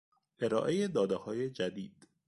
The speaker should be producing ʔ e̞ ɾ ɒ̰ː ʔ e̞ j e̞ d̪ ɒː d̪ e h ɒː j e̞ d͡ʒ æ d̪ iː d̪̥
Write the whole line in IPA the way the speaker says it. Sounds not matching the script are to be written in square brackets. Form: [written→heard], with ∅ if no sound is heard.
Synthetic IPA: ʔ e̞ ɾ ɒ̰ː ʔ e̞ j e̞ d̪ ɒː d̪ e h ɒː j e̞ d͡ʒ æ d̪ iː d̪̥